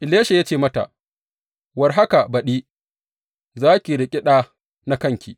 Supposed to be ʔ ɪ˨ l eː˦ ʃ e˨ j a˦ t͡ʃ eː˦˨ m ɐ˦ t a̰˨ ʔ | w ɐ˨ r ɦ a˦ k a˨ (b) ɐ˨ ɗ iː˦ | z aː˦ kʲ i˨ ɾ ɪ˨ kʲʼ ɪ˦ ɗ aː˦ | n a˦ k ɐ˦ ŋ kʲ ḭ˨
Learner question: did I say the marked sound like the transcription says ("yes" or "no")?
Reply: yes